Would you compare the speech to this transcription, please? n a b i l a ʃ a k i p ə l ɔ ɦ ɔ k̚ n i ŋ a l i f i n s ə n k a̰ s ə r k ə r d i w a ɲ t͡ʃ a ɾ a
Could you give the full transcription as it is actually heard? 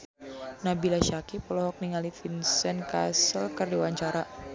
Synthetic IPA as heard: n a b i l a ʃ a k i p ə l ɔ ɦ ɔ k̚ n i ŋ a l i f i n s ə n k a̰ s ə l k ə r d i w a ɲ t͡ʃ a ɾ a